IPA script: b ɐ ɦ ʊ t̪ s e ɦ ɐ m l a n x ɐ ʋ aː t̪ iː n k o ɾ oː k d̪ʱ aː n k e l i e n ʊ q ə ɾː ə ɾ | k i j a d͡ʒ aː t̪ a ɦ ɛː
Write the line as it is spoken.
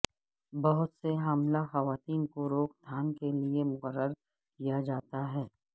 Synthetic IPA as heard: b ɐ ɦ ʊ t̪ s e ɦ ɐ m l a x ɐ ʋ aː t̪ iː n k o ɾ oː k d̪ʱ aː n k e l i e m ʊ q ə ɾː ə ɾ | k i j a d͡ʒ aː t̪ a ɦ ɛː

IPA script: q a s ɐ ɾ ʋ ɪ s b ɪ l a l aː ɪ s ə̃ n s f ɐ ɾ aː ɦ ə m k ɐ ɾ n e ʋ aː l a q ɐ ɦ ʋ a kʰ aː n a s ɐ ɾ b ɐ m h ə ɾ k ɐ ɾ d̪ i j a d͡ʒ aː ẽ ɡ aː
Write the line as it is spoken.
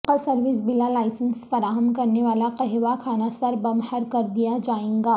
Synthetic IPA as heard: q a s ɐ ɾ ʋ ɪ s b ɪ l a l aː ɪ s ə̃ n s f ɐ ɾ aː ɦ ə m k ɐ ɾ n e ʋ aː l a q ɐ ɦ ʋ a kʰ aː n a s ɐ ɾ b ɐ m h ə ɾ k ɐ ɾ d̪ i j a d͡ʒ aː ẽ ɡ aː

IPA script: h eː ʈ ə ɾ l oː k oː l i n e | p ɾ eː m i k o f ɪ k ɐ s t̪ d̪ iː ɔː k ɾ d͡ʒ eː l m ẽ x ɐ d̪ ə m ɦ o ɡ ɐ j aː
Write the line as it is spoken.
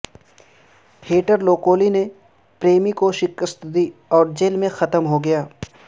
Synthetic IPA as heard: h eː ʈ ə ɾ l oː k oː l i n e | p ɾ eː m i k o ʃ ɪ k ə s t̪ d̪ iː ɔː ɾ d͡ʒ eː l m ẽ x ɐ t̪ ə m ɦ o ɡ ɐ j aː

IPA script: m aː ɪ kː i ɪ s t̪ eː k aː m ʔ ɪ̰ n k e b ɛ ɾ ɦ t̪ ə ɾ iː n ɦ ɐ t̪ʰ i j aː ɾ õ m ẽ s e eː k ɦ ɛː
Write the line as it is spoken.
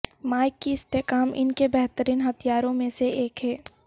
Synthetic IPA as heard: m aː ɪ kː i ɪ s t̪ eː k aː m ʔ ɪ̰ n k e b ɛ ɦ t̪ ə ɾ iː n ɦ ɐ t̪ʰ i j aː ɾ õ m ẽ s e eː k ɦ ɛː

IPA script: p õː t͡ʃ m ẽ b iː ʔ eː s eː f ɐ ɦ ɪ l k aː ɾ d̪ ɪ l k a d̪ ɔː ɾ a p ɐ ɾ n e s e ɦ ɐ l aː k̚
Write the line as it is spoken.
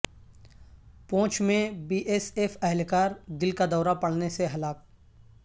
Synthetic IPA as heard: p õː t͡ʃ m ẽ b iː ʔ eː s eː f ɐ ɦ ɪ l k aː ɾ d̪ ɪ l k a d̪ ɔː ɾ a p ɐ ɽ n e s e ɦ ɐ l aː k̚

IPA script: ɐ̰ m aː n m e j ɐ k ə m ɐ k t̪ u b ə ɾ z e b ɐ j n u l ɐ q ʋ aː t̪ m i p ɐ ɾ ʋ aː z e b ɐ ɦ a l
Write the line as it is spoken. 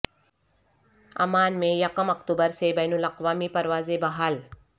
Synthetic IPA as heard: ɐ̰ m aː n m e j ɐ k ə m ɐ k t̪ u b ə ɾ s e b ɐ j n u l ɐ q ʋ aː m i p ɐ ɾ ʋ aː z e b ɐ ɦ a l

